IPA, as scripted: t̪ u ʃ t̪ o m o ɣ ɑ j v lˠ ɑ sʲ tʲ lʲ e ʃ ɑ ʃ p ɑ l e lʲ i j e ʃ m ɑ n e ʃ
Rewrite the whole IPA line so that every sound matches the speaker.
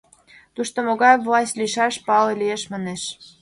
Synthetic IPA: t̪ u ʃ t̪ o m o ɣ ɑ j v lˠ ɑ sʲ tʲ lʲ i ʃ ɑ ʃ p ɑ l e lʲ i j e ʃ m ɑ n e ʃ